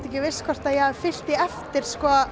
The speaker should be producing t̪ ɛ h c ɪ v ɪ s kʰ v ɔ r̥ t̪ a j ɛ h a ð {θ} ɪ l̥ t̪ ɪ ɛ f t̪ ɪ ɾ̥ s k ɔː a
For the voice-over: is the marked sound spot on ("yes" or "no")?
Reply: no